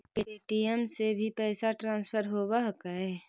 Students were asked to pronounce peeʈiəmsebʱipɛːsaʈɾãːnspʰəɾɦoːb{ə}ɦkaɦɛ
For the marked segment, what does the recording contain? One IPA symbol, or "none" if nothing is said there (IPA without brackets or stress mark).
a